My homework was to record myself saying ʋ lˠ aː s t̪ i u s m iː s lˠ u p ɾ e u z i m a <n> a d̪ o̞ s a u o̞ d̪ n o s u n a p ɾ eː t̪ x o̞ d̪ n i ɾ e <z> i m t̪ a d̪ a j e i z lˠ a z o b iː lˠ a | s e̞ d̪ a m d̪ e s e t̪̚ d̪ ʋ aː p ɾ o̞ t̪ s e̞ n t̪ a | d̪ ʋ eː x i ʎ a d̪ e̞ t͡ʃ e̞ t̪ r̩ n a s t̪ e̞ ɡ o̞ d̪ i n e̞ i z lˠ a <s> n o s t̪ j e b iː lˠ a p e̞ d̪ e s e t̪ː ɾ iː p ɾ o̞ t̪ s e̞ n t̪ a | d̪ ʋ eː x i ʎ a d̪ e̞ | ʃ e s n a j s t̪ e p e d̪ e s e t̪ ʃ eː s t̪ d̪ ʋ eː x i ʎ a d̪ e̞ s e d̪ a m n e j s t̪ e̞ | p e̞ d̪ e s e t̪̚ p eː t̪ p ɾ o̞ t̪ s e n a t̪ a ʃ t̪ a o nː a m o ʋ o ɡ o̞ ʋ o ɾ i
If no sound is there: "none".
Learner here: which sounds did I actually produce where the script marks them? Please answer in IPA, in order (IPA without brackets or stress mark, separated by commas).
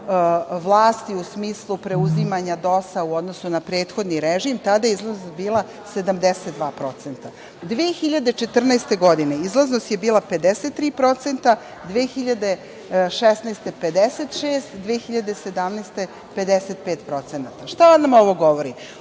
ɲ, ʒ, z